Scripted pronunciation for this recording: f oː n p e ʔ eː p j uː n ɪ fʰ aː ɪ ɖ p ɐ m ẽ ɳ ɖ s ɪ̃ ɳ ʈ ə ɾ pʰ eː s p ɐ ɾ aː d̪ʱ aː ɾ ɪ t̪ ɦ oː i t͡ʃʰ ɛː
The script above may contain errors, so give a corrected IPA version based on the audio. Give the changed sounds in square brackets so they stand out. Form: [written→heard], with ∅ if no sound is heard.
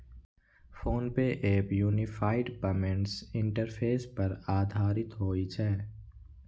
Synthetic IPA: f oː n p e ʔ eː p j uː n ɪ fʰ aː ɪ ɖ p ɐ m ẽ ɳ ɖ s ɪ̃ ɳ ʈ ə ɾ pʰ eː s p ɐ ɾ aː d̪ʱ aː ɾ ɪ t̪ ɦ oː i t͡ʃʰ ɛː